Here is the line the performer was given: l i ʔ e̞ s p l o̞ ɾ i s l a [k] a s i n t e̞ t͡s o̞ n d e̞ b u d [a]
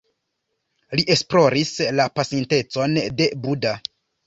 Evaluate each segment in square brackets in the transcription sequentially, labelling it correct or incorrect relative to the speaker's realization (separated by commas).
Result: incorrect, correct